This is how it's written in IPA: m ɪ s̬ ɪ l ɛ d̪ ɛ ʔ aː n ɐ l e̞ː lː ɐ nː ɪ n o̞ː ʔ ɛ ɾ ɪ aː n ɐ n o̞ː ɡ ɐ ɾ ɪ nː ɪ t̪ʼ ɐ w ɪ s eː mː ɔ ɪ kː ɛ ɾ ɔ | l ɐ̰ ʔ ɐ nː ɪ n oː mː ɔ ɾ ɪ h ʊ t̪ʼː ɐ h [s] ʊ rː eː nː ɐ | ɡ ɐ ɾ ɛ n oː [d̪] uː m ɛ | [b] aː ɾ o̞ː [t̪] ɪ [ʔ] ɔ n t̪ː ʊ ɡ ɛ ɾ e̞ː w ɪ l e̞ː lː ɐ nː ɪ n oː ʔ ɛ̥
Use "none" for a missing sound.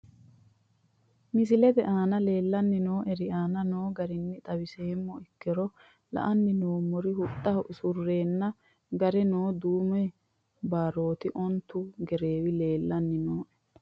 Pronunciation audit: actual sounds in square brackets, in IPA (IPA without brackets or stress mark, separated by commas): s, d̪, b, t̪, ʔ